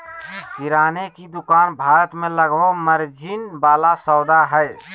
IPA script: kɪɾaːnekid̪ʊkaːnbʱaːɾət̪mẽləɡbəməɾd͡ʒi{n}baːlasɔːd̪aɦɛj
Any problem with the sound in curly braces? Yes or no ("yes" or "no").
no